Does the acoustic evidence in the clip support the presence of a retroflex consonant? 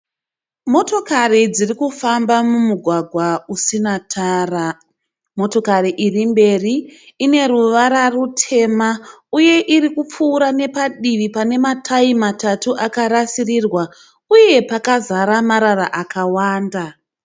no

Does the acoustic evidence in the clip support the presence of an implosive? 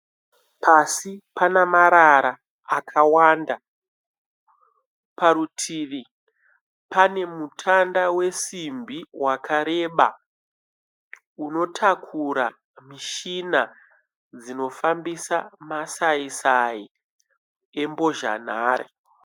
yes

